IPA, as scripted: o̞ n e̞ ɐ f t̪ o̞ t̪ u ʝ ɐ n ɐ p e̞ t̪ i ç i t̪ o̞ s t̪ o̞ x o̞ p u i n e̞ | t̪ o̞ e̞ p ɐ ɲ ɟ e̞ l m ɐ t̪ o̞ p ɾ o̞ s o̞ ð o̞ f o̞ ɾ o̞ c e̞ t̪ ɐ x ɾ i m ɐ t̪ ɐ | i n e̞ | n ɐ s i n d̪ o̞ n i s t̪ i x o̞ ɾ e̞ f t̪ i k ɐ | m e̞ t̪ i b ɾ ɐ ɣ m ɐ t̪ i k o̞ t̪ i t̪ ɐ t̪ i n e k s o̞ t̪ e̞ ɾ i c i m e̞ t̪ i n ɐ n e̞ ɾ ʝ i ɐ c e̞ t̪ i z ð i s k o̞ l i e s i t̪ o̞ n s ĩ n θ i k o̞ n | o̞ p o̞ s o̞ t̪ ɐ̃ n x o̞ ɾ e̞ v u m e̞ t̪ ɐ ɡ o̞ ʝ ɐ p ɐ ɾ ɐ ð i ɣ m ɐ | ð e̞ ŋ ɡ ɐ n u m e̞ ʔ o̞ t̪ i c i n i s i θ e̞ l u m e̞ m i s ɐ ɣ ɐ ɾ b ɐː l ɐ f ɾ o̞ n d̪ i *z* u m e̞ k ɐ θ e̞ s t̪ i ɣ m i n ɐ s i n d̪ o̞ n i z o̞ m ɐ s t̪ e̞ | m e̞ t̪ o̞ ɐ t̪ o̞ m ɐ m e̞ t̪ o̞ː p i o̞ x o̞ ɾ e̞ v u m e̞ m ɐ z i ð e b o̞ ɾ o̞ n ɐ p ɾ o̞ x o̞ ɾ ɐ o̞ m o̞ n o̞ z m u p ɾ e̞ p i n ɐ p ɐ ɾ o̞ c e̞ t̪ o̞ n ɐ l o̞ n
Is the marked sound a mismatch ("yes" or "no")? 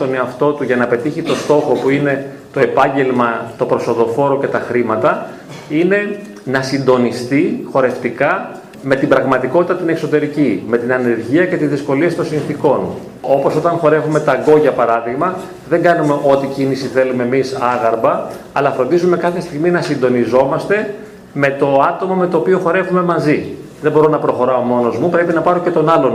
no